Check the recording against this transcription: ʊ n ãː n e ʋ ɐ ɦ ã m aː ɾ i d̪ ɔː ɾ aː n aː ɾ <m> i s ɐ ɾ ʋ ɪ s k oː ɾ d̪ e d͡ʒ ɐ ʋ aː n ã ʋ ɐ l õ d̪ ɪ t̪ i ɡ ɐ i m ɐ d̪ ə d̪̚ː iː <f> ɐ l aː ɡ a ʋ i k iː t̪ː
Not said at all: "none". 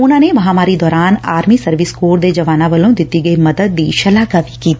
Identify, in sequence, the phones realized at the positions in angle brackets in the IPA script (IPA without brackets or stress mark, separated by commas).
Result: m, ʃ